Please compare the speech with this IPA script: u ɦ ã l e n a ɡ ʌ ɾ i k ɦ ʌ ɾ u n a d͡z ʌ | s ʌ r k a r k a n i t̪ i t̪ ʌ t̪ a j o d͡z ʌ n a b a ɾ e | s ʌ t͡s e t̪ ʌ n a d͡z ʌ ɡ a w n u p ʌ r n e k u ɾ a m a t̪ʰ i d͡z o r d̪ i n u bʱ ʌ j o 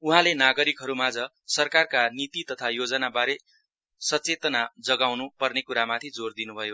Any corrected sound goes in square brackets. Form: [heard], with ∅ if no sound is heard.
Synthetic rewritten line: u ɦ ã l e n a ɡ ʌ ɾ i k ɦ ʌ ɾ u [m] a d͡z ʌ | s ʌ r k a r k a n i t̪ i t̪ ʌ [t̪ʰ] a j o d͡z ʌ n a b a ɾ e | s ʌ t͡s e t̪ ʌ n a d͡z ʌ ɡ a w n u p ʌ r n e k u ɾ a m a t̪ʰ i d͡z o r d̪ i n u bʱ ʌ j o